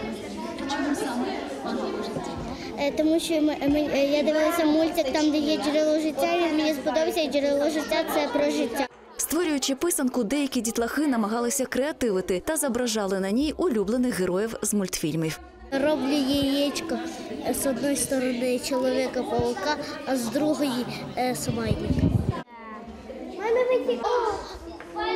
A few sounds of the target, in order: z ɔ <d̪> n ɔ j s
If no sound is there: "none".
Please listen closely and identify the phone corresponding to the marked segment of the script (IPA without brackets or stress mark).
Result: d̪